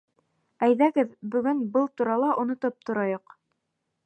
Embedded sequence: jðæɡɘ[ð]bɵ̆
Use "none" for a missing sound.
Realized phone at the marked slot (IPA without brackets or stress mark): ð